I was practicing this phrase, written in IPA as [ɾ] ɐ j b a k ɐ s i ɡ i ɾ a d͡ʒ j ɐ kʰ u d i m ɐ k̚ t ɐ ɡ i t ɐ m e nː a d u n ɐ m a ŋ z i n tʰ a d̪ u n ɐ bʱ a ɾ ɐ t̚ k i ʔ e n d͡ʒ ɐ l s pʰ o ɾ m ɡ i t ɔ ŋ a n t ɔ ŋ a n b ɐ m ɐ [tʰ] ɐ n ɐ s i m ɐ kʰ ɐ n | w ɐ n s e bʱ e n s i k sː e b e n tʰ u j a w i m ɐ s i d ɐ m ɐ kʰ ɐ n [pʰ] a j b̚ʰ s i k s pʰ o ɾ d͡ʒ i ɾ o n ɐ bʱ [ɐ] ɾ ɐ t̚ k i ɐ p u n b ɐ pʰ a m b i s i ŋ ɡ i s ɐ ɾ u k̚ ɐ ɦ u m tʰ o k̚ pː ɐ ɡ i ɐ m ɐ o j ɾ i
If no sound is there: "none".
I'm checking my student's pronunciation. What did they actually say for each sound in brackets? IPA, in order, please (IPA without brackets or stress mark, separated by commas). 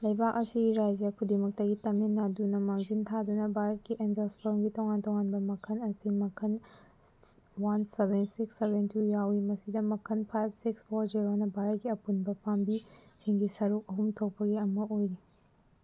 l, kʰ, pʰ, a